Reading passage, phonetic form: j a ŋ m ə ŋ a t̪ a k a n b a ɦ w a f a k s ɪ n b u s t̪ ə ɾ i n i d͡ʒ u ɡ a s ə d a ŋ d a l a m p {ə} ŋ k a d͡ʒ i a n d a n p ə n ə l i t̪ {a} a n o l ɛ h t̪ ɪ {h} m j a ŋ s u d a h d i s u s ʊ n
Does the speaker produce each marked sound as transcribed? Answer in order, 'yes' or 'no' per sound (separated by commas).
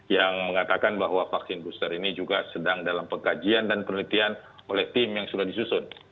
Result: yes, no, no